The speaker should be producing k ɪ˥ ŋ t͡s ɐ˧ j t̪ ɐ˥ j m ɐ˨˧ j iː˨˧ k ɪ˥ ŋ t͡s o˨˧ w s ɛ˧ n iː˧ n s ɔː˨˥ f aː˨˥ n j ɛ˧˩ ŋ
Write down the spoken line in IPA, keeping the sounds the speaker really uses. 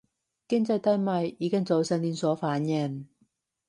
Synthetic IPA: k ɪ˥ ŋ t͡s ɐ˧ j t̪ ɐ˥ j m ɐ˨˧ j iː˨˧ k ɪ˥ ŋ t͡s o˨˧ w s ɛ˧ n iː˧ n s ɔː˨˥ f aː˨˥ n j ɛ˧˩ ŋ